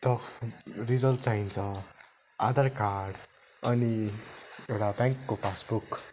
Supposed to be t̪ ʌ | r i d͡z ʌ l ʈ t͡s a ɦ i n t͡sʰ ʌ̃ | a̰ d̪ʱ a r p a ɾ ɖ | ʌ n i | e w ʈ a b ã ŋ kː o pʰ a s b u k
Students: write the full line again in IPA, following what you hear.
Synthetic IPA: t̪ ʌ | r i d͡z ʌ l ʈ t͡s a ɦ i n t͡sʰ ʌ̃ | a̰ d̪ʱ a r k a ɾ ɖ | ʌ n i | e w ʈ a b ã ŋ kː o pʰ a s b u k